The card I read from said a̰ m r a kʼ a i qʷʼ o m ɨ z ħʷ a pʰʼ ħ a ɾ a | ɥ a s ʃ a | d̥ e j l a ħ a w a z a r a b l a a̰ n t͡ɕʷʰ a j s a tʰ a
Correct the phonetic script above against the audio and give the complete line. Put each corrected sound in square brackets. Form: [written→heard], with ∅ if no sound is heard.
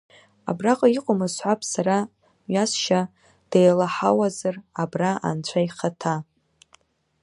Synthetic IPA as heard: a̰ [m→b] r a [kʼ→qʼ] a i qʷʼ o m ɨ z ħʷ a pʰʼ [ħ→s] a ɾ a | ɥ a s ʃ a | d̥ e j l a ħ a w a z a r a b [l→r] a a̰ n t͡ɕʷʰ a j [s→χ] a tʰ a